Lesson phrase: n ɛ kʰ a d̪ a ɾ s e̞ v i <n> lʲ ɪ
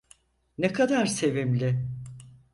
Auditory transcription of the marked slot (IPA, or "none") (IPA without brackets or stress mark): m